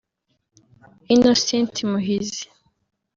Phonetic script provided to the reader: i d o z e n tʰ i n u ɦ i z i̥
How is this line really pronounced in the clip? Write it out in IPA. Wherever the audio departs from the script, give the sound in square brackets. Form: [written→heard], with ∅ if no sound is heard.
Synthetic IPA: i [d→n] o [z→s] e n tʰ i [n→m] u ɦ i z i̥